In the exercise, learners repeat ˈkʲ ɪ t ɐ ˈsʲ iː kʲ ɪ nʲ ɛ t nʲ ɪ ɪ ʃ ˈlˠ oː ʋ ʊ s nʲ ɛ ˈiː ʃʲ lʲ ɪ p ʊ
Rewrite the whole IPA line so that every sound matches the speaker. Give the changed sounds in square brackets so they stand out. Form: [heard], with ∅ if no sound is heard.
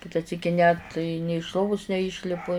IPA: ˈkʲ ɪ t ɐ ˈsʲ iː kʲ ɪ nʲ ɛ t nʲ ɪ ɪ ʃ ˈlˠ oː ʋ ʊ s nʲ ɛ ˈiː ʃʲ lʲ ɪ p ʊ